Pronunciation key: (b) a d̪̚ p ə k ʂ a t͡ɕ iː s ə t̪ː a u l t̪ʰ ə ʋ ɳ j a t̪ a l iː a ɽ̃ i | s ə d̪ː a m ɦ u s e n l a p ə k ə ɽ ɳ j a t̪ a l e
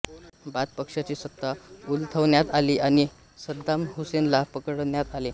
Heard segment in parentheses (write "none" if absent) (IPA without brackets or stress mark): b